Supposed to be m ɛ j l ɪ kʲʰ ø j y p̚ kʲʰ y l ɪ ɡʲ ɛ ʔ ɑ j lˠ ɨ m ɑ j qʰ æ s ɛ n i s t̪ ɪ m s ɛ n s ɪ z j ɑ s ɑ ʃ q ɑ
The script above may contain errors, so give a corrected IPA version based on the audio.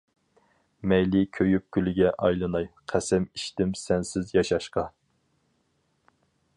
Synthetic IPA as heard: m ɛ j l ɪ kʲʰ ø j y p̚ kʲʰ y l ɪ ɡʲ ɛ ʔ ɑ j lˠ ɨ n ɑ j qʰ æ s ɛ m i ʃ t̪ ɪ m s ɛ n s ɪ z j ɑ ʃ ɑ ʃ q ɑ